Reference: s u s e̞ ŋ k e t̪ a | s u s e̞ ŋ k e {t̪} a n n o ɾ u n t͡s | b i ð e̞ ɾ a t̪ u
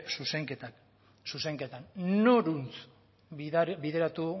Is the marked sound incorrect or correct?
correct